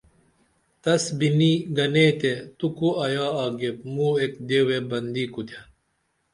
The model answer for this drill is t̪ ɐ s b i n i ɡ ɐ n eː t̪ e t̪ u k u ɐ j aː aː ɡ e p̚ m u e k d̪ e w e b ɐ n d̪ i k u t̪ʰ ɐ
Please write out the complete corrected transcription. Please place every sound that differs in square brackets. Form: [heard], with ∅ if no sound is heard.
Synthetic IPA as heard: t̪ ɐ s b i n i ɡ ɐ n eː t̪ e t̪ u k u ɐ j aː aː ɡ e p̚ m u e k d̪ e w e b ɐ n d̪ i k u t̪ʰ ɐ